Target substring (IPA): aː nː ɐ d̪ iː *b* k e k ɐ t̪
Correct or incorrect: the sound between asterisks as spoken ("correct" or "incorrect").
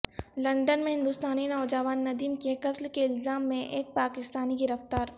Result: incorrect